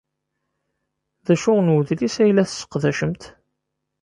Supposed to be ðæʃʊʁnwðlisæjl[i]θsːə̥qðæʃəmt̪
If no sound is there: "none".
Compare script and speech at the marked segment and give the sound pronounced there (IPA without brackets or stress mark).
æ